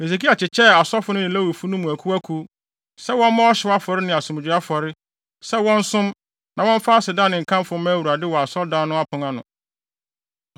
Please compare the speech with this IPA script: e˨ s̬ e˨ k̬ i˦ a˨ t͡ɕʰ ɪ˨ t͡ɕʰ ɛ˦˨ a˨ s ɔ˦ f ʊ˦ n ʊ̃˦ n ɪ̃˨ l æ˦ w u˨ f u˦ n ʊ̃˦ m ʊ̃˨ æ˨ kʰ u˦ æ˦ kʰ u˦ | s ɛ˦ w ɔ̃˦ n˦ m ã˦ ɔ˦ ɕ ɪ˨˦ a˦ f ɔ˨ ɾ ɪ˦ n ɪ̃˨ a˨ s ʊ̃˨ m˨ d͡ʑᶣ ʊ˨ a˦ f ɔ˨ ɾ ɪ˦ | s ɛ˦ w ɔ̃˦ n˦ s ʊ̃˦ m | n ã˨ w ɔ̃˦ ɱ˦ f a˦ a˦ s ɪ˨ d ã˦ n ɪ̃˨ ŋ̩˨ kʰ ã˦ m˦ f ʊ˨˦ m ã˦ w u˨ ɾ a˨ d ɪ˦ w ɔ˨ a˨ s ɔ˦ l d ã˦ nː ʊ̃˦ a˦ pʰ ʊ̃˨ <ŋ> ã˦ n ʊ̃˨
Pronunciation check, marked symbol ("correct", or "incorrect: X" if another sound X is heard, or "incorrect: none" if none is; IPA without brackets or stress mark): correct